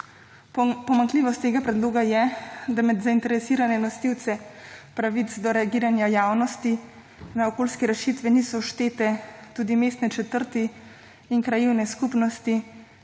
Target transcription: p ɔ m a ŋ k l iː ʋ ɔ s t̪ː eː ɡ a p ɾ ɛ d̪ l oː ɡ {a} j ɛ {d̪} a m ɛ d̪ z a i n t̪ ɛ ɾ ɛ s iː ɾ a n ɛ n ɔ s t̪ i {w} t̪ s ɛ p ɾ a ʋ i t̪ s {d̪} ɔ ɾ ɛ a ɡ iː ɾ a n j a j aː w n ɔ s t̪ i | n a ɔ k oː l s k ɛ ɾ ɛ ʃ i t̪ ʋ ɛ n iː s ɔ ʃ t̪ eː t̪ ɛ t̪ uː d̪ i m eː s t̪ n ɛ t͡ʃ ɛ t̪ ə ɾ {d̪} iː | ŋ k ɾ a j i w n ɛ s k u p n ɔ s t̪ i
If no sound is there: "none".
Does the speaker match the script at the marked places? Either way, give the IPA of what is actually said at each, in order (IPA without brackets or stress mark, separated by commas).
a, d̪, w, d̪, t̪